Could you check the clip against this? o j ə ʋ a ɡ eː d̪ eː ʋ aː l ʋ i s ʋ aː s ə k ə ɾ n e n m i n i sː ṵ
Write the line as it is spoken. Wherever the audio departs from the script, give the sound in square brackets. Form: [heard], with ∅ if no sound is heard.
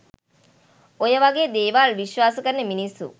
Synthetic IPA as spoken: o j ə ʋ a ɡ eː d̪ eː ʋ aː l ʋ i [ʃ] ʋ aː s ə k ə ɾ n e [∅] m i n i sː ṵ

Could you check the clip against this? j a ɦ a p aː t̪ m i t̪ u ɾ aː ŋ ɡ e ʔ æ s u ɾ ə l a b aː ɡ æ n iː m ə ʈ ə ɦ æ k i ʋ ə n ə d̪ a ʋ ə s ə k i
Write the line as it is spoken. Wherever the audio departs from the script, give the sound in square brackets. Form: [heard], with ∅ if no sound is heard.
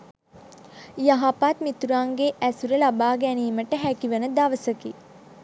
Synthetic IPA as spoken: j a ɦ a p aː t̪ m i t̪ u ɾ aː ŋ ɡ e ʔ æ s u ɾ ə l a b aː ɡ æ n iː m ə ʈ ə ɦ æ k i ʋ ə n ə d̪ a ʋ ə s ə k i

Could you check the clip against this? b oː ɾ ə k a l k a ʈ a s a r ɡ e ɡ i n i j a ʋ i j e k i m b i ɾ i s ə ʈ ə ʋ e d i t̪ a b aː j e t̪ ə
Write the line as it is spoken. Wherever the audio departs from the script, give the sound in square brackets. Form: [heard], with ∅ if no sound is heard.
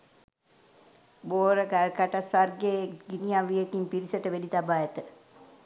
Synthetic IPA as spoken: b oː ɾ ə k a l k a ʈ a s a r ɡ e ɡ i n i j a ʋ i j e k i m [p] i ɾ i s ə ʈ ə ʋ e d i t̪ a b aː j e t̪ ə

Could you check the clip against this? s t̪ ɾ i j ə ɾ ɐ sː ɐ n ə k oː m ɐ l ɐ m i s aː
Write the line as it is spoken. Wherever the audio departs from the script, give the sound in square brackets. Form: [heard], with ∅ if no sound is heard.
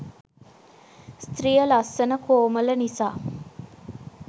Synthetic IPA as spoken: s t̪ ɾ i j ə [l] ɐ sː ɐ n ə k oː m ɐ l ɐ [n] i s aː

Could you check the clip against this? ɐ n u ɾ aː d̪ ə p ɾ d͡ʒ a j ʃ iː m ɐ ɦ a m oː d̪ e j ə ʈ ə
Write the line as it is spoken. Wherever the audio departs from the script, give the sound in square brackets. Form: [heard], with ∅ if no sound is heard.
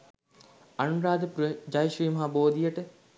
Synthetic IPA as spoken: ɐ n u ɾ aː d̪ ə p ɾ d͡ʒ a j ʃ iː m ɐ ɦ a [b] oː d̪ [i] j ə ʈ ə

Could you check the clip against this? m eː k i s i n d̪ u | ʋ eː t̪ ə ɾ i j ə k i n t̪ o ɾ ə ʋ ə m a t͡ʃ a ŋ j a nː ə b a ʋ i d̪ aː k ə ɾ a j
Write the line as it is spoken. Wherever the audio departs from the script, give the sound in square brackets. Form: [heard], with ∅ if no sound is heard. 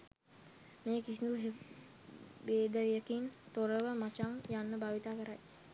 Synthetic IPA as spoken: m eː k i s i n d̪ u | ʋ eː [d̪] ə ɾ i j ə k i n t̪ o ɾ ə ʋ ə m a t͡ʃ a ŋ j a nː ə b a ʋ i [t̪] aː k ə ɾ a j

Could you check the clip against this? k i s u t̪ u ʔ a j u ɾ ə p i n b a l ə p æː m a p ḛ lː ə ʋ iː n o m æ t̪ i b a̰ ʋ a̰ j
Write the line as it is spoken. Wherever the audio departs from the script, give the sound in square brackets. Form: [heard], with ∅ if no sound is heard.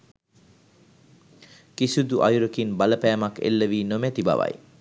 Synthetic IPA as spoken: k i s u [d̪] u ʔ a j u ɾ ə [k] i n b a l ə p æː m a [k] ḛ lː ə ʋ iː n o m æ t̪ i b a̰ ʋ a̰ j

